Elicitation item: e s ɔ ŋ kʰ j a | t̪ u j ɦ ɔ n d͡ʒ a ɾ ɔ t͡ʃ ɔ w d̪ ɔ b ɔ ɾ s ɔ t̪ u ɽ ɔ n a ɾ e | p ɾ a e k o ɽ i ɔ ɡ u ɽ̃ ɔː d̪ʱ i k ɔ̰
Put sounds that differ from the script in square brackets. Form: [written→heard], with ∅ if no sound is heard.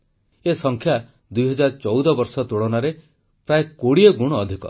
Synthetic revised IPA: e s ɔ ŋ kʰ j a | [t̪→d̪] u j ɦ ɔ [n→∅] d͡ʒ a ɾ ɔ t͡ʃ ɔ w d̪ ɔ b ɔ ɾ s ɔ t̪ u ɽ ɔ n a ɾ e | p ɾ a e k o ɽ i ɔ ɡ u ɽ̃ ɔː d̪ʱ i k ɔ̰